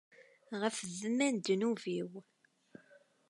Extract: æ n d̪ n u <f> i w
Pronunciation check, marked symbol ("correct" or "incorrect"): incorrect